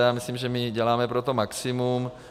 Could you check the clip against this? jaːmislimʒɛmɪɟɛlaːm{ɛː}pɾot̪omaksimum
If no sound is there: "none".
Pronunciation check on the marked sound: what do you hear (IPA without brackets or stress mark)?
ɛ